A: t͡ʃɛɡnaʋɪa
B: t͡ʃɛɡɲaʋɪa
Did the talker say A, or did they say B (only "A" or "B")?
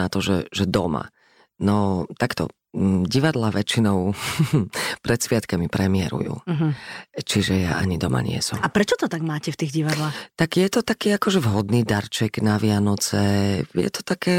A